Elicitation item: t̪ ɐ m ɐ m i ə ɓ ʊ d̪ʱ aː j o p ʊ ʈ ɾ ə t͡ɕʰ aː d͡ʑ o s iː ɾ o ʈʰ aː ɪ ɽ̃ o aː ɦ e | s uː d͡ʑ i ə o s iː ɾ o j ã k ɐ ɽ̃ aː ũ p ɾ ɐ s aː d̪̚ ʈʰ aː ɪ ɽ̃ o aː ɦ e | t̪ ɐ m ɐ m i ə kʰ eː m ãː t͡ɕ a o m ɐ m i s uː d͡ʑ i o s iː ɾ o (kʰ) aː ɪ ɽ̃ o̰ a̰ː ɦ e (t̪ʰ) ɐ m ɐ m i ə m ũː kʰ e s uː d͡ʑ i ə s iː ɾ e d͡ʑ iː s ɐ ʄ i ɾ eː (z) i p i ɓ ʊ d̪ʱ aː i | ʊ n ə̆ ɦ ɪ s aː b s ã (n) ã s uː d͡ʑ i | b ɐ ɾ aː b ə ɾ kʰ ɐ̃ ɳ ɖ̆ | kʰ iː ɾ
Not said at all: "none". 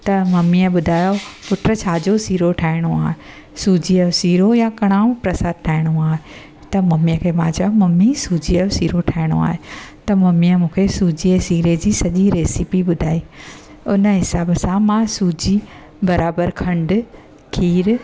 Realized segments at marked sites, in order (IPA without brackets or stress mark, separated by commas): ʈʰ, t̪, s, m